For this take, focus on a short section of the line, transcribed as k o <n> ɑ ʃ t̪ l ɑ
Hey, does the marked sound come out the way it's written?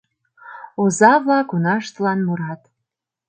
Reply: yes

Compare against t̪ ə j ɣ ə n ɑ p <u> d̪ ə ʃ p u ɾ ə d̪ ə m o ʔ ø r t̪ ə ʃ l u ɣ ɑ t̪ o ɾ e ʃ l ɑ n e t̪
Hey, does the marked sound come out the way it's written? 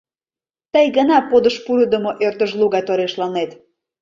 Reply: no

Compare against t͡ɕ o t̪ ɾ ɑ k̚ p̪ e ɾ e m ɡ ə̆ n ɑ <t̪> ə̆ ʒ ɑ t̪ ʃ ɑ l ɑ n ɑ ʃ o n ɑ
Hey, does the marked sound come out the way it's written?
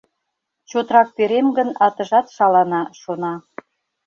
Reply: yes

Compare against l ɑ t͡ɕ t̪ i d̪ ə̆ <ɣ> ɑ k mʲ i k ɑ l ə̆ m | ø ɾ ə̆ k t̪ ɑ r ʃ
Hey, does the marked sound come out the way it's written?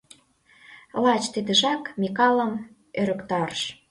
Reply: no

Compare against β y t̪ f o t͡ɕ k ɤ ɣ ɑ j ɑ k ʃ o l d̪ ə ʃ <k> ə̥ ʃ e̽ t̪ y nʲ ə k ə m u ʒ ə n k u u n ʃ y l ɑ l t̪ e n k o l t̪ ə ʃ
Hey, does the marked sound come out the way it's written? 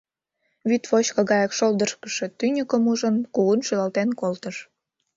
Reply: yes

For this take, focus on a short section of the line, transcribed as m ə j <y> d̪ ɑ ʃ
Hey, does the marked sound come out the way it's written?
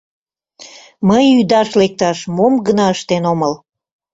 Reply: yes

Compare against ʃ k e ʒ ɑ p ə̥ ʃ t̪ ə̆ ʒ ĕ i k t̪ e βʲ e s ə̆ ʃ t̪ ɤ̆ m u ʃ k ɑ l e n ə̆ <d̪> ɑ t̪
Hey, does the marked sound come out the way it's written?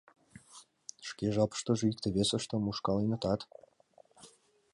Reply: no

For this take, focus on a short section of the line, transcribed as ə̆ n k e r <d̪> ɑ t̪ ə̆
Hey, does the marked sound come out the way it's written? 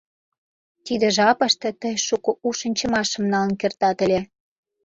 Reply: no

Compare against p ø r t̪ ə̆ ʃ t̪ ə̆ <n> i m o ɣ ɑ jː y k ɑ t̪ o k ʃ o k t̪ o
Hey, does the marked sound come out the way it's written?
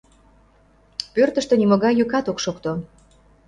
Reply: yes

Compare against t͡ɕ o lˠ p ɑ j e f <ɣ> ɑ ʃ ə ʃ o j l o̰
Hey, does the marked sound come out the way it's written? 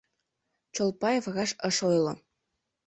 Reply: yes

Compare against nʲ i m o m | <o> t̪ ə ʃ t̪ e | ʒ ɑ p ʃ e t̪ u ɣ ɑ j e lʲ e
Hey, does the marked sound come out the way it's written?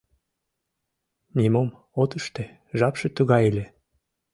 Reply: yes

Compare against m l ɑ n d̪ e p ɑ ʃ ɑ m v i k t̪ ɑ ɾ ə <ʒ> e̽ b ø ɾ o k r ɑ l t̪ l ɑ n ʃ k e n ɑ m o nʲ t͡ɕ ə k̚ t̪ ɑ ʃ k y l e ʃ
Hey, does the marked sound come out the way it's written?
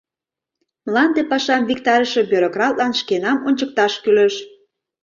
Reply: no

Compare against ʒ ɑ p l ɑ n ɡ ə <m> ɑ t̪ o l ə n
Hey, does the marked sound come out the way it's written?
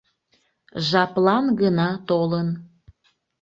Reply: no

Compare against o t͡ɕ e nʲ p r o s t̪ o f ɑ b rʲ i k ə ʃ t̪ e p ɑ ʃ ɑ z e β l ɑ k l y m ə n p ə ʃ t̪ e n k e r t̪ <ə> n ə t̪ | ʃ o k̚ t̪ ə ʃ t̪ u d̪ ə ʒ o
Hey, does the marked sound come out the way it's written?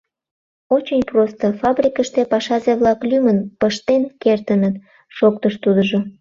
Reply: yes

